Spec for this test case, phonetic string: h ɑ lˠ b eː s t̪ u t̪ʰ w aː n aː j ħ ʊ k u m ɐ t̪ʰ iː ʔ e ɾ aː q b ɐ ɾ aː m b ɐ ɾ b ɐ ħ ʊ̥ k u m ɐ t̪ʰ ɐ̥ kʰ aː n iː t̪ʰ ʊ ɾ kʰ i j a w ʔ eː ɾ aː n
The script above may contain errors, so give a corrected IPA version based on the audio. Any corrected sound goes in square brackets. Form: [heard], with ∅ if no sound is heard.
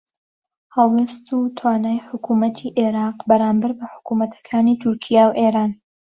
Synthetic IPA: h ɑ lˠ [w] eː s t̪ u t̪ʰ w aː n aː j ħ ʊ k u m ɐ t̪ʰ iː ʔ e ɾ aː q b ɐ ɾ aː m b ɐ ɾ b ɐ ħ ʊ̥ k u m ɐ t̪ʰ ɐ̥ kʰ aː n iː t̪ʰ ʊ ɾ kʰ i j a w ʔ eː ɾ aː n